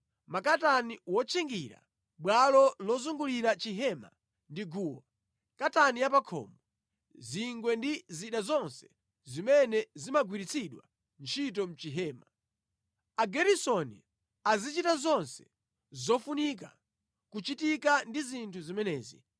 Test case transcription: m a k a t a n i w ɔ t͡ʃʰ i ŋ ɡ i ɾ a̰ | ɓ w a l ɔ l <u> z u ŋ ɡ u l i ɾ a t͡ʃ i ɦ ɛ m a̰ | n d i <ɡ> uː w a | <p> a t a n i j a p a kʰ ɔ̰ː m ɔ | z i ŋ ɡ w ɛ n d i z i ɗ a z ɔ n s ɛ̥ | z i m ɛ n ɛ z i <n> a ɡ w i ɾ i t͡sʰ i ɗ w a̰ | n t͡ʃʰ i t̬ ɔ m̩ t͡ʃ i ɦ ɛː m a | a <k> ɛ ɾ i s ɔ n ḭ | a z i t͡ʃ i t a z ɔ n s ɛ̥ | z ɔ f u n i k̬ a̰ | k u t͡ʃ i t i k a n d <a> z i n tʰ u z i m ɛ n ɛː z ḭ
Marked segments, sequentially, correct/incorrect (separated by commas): incorrect, correct, incorrect, incorrect, incorrect, incorrect